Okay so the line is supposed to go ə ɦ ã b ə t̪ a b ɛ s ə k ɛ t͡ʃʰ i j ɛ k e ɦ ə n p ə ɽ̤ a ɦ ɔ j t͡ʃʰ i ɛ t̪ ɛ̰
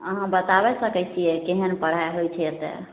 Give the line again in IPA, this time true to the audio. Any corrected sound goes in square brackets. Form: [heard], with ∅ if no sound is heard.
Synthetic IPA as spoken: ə ɦ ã b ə t̪ a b ɛ s ə k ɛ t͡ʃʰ i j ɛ k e ɦ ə n p ə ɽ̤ a ɦ [o] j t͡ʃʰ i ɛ t̪ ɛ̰